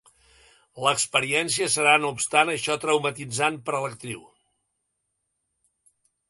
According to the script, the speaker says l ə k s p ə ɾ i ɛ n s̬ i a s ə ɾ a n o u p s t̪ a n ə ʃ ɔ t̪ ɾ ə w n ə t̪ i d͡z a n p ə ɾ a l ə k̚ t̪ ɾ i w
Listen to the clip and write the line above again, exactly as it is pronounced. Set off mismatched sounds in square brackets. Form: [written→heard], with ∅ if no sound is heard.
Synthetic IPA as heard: l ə k s p ə ɾ i ɛ n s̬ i [a→ə] s ə ɾ a n o u p s t̪ a n ə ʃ ɔ t̪ ɾ ə w [n→m] ə t̪ i d͡z a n p ə ɾ [a→ə] l ə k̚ t̪ ɾ i w